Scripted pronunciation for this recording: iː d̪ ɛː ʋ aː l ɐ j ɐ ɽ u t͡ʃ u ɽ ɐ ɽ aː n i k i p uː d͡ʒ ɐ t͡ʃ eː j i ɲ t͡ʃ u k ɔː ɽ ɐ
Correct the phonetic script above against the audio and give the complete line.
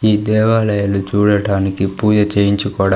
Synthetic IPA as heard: iː d̪ ɛː ʋ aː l ɐ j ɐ l u t͡ʃ uː ɽ ɐ ɽ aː n i k i p uː d͡ʒ ɐ t͡ʃ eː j i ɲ t͡ʃ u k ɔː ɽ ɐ